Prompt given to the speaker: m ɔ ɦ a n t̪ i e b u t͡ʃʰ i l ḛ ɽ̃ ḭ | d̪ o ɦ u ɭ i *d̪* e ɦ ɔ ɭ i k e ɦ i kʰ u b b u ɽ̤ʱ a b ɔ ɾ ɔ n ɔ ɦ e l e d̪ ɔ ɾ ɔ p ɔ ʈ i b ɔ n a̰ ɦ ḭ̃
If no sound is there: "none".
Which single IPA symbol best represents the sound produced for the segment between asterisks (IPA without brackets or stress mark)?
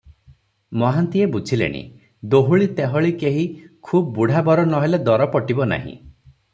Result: t̪